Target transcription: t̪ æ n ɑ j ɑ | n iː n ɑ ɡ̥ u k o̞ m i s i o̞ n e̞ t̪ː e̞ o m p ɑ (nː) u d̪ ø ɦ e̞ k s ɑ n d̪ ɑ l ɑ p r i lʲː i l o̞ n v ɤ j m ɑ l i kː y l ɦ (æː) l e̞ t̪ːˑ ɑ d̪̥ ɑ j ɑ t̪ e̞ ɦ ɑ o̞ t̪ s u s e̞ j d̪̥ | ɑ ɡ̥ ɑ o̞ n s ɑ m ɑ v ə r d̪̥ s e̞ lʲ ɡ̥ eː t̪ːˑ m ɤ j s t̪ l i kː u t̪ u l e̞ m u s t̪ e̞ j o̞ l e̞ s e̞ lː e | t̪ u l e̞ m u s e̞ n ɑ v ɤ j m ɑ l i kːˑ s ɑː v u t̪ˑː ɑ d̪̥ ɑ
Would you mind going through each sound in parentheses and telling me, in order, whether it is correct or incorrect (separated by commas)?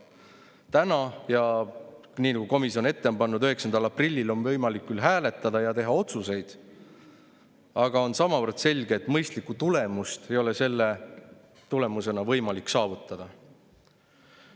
correct, correct